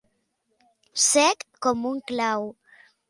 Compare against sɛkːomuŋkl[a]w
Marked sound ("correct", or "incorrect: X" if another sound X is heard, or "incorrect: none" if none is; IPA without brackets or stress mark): correct